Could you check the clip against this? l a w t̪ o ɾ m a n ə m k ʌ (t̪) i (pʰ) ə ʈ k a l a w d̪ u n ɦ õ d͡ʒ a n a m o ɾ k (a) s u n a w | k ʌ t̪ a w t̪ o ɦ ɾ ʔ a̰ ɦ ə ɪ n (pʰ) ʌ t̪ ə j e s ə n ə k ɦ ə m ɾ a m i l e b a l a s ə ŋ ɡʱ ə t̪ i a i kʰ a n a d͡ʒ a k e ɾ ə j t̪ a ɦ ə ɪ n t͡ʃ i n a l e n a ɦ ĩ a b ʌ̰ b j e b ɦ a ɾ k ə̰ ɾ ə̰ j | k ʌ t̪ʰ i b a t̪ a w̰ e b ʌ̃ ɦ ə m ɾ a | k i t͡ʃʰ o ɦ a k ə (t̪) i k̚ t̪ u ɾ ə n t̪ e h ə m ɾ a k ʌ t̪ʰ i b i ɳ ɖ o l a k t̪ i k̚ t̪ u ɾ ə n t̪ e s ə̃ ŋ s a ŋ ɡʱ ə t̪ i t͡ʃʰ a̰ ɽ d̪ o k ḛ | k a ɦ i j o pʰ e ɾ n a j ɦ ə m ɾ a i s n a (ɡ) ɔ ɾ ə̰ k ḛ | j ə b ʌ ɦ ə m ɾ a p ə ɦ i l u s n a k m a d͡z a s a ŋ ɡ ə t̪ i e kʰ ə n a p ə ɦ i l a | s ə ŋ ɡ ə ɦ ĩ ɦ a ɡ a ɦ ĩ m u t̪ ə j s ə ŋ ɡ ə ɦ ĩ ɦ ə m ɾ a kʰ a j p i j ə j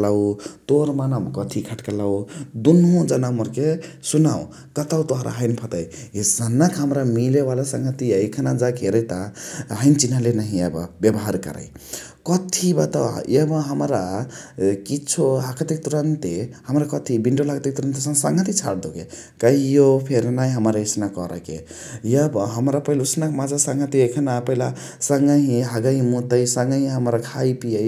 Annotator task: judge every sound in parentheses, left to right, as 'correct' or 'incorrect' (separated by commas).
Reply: incorrect, incorrect, incorrect, correct, correct, incorrect